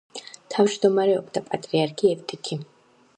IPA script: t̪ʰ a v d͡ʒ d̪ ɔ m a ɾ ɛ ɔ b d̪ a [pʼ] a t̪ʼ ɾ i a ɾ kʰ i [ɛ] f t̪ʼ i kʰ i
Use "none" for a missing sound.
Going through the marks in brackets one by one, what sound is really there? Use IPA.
pʼ, ɛ

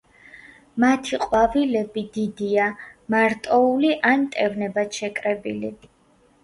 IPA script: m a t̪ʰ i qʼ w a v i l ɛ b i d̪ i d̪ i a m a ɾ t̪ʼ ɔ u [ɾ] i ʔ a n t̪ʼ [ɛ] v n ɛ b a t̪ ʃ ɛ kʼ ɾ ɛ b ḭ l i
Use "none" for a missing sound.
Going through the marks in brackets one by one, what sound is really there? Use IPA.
l, ɛ

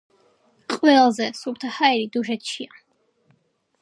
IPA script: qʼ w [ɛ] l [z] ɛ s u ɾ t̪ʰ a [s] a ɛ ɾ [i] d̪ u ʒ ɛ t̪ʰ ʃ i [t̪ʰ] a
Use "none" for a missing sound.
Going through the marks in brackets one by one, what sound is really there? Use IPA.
ɛ, z, h, i, none

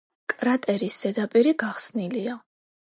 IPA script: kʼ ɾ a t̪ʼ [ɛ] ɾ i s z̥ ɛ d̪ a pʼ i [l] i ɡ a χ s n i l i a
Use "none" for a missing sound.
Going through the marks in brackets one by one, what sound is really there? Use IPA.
ɛ, ɾ

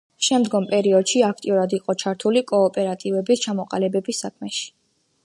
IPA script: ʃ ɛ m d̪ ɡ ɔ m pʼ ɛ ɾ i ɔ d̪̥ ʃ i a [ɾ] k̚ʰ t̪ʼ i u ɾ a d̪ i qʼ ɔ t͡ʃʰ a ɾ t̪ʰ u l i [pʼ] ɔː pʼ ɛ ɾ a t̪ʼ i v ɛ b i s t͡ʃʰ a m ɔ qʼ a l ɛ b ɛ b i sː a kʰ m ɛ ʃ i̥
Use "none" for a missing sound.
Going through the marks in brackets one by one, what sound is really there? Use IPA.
none, kʼ

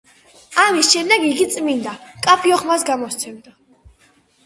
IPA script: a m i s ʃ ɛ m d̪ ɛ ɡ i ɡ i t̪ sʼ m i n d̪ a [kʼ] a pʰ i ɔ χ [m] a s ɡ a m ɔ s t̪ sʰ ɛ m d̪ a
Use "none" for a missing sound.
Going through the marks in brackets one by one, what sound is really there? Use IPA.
kʼ, m

